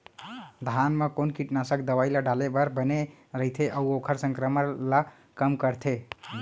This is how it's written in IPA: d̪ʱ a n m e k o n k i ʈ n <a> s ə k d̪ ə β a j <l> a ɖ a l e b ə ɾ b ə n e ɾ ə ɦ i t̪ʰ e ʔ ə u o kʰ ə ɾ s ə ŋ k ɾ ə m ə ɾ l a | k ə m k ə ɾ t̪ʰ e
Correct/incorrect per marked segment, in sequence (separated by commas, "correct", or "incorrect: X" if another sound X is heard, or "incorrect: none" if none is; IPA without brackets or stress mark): correct, correct